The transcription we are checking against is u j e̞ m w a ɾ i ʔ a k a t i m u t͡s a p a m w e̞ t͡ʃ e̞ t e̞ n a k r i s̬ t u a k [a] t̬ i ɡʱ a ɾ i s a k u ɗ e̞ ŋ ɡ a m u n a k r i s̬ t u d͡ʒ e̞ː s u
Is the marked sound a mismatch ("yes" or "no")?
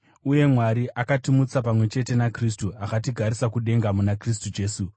no